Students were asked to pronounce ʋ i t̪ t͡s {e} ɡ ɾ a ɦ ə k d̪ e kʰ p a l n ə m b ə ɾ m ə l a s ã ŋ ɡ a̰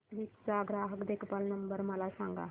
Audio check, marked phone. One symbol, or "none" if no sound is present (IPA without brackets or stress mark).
a